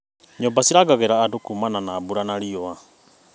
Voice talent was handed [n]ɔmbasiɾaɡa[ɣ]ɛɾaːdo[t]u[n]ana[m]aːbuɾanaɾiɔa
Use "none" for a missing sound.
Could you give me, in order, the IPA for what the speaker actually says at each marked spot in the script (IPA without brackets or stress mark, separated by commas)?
ɲ, ɣ, k, m, n